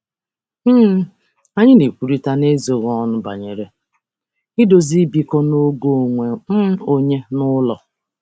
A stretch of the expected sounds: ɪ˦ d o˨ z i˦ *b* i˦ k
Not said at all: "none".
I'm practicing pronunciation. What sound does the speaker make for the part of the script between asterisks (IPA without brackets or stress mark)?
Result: b